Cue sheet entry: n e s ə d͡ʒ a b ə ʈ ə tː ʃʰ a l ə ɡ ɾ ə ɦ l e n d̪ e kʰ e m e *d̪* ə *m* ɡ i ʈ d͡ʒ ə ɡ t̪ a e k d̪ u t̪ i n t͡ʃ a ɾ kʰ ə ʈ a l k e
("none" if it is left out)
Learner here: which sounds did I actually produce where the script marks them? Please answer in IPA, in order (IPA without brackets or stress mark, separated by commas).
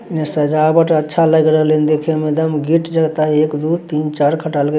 d̪, m